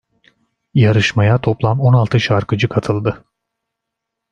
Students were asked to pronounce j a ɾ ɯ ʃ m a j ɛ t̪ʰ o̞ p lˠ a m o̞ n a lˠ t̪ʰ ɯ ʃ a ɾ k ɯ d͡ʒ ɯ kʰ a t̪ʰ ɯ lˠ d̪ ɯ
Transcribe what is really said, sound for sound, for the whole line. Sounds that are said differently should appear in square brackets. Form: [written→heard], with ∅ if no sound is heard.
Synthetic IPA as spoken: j a ɾ ɯ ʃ m a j [ɛ→a] t̪ʰ o̞ p lˠ a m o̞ n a lˠ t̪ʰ ɯ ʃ a ɾ k ɯ d͡ʒ ɯ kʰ a t̪ʰ ɯ lˠ d̪ ɯ